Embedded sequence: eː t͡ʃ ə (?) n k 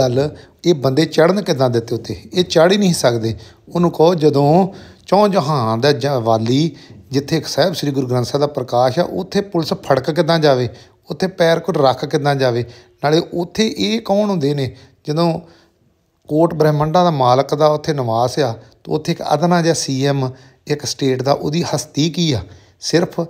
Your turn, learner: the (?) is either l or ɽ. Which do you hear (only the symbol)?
ɽ